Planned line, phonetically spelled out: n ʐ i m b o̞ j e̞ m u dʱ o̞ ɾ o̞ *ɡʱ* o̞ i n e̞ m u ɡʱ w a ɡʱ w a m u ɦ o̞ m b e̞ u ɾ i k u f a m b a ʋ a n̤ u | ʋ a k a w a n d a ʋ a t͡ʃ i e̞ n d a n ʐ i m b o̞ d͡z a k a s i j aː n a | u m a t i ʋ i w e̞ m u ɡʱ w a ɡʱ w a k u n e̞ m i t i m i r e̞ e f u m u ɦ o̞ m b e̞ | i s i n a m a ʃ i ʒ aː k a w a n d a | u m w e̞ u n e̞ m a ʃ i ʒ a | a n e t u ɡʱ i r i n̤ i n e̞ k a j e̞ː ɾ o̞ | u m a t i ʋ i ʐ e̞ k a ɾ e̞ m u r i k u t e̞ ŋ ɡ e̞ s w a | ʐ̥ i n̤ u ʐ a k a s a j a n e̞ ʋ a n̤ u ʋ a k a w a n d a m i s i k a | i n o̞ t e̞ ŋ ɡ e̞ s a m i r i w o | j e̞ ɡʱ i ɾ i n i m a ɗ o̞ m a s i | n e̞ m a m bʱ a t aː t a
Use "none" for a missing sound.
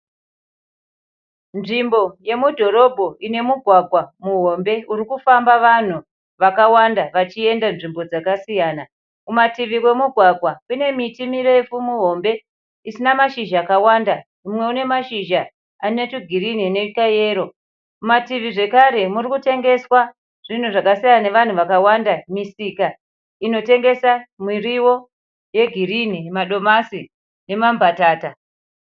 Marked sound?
bʱ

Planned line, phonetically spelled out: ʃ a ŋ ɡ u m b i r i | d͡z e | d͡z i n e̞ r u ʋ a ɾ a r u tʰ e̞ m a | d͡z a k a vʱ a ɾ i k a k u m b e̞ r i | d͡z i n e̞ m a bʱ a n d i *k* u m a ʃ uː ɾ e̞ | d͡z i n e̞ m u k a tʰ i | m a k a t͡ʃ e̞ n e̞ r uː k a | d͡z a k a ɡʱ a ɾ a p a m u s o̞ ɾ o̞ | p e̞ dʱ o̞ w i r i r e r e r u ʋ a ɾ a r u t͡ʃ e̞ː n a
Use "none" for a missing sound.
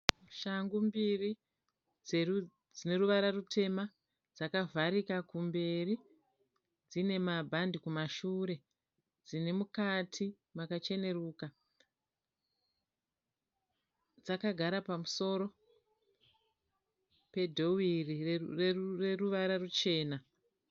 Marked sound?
k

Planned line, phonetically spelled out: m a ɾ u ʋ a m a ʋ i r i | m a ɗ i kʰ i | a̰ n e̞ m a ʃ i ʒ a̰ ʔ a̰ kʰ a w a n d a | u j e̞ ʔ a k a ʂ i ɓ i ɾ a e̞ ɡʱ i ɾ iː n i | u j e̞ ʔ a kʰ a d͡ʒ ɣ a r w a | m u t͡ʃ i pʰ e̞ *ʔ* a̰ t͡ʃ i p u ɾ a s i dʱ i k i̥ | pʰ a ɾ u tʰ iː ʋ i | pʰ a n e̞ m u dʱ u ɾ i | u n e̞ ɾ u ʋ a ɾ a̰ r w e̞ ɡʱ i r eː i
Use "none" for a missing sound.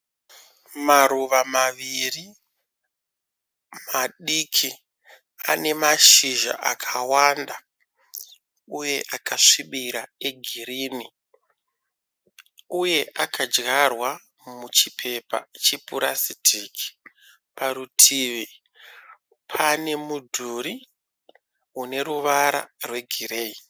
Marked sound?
p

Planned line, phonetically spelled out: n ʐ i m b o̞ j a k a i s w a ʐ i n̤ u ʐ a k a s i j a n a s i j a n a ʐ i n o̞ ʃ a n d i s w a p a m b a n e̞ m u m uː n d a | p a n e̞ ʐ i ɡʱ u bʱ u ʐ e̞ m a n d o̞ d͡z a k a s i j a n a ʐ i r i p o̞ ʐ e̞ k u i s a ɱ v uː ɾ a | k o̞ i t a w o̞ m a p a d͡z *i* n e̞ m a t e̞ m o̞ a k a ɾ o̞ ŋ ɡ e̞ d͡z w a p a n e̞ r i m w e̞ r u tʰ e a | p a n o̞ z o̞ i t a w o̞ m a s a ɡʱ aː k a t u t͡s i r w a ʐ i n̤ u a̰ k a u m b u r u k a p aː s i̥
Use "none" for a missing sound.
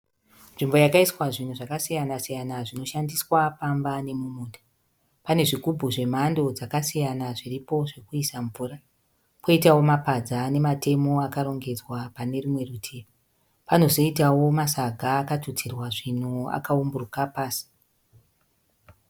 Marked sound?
a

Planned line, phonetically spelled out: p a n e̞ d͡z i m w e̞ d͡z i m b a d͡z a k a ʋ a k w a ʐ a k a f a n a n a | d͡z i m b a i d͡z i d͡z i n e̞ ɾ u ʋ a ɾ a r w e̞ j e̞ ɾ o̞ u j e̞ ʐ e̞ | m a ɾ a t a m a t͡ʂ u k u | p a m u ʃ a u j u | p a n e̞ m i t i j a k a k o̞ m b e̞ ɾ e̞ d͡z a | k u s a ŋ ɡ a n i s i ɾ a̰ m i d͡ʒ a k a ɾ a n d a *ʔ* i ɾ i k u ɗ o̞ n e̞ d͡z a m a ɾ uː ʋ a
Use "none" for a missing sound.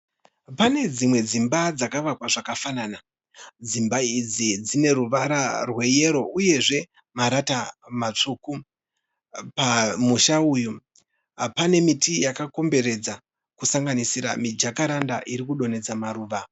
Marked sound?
ʔ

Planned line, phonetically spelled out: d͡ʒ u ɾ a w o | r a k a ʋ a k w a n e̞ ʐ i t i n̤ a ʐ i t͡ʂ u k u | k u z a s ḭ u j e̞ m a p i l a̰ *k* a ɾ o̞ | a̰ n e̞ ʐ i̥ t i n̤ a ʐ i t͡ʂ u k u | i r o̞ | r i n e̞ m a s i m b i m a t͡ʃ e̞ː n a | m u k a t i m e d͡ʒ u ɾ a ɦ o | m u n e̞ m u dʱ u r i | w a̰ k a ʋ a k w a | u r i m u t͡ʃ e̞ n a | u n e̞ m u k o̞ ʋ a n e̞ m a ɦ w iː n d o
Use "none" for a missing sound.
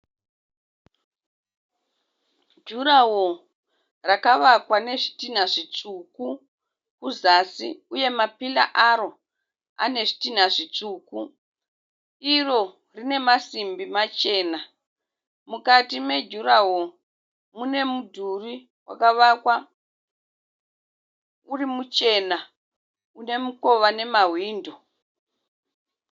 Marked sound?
ʔ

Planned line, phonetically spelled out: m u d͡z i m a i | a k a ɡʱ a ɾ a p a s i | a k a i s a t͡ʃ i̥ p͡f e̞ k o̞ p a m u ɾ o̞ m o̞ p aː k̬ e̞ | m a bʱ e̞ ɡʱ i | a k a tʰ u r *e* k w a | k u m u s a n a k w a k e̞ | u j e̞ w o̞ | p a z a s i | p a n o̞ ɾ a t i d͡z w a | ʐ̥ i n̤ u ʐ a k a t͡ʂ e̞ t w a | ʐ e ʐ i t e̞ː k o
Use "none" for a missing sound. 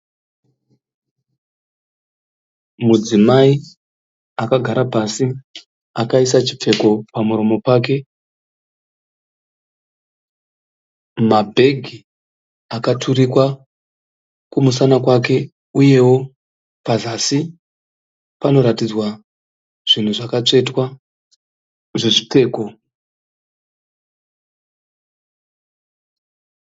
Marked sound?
i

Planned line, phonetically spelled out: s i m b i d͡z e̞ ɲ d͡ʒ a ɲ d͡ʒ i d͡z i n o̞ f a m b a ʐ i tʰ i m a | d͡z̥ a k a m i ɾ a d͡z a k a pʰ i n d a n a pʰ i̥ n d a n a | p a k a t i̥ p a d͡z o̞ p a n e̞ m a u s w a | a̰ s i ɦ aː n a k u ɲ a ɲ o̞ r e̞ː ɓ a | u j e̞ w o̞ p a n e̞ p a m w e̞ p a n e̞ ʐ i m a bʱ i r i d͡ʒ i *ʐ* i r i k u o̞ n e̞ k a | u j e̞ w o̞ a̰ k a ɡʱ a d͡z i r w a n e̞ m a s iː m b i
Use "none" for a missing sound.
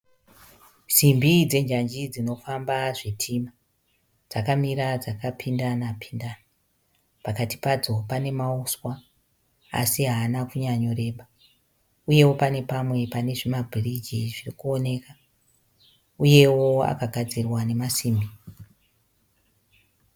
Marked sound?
ʐ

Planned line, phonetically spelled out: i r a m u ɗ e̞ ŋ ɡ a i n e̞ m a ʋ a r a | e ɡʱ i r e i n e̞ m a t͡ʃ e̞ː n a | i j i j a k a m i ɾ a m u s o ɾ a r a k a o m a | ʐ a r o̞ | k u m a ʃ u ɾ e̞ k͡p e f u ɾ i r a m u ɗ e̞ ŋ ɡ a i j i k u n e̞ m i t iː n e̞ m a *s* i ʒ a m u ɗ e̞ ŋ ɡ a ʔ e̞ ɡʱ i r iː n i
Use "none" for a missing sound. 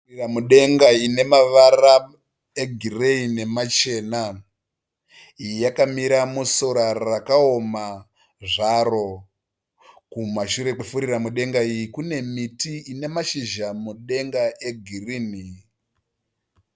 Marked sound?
ʃ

